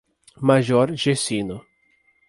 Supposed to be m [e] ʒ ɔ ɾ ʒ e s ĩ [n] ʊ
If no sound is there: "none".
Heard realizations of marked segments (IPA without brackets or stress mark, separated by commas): a, n